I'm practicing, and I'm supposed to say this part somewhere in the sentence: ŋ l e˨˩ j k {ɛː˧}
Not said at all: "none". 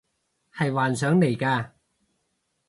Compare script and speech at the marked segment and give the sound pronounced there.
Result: aː˧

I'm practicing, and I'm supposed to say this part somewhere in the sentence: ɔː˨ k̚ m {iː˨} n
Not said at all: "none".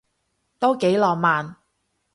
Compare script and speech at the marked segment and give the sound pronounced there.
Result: aː˨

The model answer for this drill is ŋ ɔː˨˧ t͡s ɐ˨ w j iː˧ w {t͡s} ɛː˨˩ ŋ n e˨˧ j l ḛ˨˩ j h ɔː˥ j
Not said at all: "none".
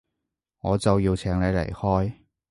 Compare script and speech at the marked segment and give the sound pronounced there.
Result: t͡sʰ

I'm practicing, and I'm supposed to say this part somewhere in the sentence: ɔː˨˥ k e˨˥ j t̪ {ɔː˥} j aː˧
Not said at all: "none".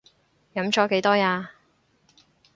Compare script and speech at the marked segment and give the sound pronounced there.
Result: ɔː˥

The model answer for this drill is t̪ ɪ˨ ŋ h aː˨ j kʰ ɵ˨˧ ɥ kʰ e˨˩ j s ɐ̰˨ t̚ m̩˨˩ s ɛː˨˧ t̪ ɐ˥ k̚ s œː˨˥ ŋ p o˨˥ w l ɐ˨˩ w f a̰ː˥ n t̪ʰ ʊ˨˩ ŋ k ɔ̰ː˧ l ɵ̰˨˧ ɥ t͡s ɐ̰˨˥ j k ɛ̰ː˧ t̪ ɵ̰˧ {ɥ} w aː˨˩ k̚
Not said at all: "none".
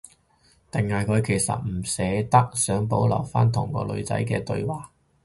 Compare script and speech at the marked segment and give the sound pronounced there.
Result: ɥ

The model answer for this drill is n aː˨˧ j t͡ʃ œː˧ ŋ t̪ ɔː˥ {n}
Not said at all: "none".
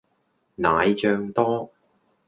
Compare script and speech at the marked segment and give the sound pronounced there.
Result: none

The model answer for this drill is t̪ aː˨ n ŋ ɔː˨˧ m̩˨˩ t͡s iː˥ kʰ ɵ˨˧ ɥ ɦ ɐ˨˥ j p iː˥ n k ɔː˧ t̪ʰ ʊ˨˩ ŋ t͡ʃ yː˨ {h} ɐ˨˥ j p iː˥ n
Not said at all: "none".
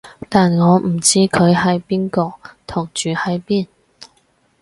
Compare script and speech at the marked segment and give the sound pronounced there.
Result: h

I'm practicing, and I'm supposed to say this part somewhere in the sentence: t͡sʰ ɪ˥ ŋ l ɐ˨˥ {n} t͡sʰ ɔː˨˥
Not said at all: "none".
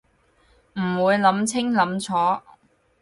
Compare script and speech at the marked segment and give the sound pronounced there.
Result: m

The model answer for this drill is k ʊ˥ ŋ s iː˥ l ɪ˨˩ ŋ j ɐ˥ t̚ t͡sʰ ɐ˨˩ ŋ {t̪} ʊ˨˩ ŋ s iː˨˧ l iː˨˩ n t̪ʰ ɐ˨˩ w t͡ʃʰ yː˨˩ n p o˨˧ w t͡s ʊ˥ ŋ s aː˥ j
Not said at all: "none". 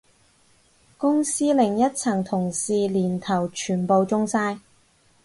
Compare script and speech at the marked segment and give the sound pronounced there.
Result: t̪ʰ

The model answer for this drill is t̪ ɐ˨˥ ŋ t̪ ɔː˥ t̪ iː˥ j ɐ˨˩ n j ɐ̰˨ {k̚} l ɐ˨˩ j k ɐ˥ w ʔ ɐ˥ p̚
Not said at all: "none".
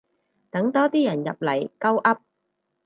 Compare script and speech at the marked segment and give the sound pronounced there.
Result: p̚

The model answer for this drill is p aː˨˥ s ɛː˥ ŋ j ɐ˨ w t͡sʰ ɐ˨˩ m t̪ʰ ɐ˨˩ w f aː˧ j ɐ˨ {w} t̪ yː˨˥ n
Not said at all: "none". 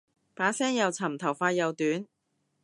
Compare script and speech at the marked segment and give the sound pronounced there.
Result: w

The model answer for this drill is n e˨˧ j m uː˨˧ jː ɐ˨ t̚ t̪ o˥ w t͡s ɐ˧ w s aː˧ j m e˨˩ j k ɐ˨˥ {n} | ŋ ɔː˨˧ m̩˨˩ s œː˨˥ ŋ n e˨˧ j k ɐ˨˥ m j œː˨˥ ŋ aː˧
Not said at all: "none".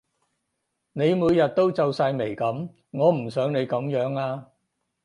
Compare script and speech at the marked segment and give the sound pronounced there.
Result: m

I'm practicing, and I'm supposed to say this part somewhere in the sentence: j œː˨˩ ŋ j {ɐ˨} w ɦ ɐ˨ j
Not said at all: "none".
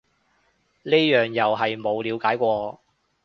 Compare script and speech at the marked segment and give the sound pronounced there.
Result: ɐ˨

